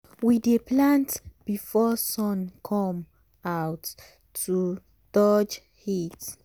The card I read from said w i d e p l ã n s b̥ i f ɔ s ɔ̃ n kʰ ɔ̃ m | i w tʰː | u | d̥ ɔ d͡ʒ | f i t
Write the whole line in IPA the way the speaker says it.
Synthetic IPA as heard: w i d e p l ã n t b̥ i f ɔ s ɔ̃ n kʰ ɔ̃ m | a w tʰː | u | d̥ ɔ d͡ʒ | h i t